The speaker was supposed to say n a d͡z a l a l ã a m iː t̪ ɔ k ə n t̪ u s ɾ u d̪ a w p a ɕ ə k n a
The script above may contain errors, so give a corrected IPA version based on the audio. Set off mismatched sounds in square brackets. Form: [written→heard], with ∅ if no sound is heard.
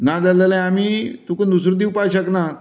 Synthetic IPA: n a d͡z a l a l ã a m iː t̪ [ɔ→u] k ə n [t̪→d̪] u s ɾ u d̪ [a→i] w p a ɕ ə k n a